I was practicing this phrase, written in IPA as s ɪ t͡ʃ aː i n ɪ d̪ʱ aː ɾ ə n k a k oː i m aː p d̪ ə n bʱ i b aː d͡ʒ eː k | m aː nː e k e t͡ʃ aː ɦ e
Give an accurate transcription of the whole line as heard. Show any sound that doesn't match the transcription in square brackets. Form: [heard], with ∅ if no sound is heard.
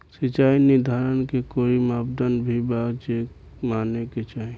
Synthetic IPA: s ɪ t͡ʃ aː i n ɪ d̪ʱ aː ɾ ə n k [e] k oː i m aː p d̪ ə n bʱ i b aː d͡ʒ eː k | m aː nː e k e t͡ʃ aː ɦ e